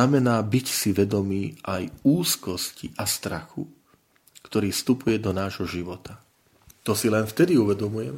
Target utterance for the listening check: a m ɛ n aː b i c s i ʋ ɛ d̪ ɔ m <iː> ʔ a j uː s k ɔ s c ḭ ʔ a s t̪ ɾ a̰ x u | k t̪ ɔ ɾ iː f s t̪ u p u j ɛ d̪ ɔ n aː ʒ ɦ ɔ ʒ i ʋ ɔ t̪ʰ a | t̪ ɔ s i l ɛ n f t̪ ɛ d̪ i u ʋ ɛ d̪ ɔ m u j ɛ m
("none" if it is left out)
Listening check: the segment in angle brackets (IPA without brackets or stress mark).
iː